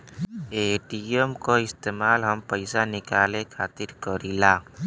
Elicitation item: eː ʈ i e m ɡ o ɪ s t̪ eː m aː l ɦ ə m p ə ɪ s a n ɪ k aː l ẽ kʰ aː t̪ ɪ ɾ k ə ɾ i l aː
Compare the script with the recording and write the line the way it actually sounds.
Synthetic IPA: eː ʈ i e m k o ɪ s t̪ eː m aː l ɦ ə m p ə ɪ s a n ɪ k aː l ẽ kʰ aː t̪ ɪ ɾ k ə ɾ i l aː